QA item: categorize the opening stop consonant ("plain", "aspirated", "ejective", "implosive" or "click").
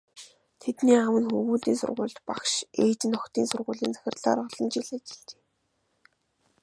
aspirated